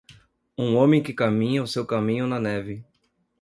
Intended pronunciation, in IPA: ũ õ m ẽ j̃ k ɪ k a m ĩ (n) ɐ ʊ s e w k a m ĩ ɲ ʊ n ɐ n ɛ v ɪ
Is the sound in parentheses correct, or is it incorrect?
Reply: incorrect: ɲ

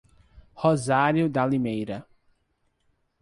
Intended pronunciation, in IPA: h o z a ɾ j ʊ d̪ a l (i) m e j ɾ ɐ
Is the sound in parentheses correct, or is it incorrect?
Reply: correct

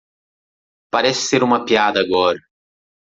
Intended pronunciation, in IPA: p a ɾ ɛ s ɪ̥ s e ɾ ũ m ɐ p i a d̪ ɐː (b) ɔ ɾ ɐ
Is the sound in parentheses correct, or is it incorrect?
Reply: incorrect: ɡ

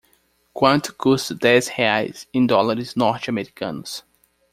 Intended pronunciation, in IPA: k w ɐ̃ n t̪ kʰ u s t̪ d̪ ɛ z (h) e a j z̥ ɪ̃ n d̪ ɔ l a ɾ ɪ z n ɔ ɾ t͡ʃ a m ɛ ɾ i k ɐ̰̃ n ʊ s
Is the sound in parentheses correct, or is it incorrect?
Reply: correct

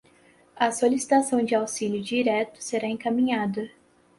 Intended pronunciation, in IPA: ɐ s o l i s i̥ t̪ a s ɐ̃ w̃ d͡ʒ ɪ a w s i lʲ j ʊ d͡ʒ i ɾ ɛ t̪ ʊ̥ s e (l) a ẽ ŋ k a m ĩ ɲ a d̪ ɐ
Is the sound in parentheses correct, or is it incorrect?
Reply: incorrect: ɾ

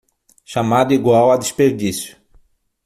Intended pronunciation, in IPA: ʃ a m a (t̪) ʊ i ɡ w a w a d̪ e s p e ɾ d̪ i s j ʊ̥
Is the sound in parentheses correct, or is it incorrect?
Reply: incorrect: d̪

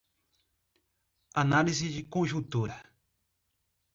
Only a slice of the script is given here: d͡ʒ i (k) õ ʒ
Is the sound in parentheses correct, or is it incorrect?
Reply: correct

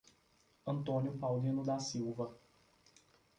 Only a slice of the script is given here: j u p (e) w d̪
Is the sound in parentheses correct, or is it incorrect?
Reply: incorrect: a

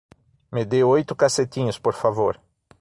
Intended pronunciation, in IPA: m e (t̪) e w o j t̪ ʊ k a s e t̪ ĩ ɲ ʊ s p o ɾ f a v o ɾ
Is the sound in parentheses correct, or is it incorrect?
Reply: incorrect: d̪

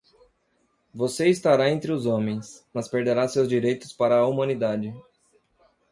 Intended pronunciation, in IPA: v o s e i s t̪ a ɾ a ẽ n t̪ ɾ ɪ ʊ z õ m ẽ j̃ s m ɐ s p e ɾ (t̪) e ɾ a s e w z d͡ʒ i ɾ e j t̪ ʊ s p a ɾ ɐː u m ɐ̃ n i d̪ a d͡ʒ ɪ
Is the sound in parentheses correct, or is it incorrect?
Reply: incorrect: d̪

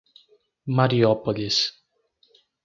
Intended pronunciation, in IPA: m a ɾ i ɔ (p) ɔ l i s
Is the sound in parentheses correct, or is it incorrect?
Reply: correct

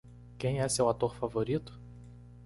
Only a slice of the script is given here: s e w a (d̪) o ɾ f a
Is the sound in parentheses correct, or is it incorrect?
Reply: incorrect: t̪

